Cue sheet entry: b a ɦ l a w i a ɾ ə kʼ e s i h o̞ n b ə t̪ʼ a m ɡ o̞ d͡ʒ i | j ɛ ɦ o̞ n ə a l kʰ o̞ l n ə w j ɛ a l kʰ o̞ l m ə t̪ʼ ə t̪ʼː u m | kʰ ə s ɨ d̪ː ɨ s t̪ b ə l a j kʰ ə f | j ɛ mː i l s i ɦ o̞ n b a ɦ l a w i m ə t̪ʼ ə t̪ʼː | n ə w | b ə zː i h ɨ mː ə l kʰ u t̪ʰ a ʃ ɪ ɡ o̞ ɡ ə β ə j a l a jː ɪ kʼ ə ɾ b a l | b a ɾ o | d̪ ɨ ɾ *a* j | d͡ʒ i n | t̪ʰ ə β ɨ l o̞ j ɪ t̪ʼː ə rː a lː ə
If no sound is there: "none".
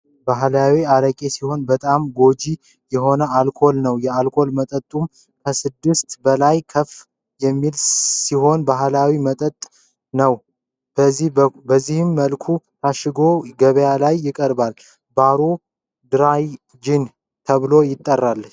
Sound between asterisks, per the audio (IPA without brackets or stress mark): a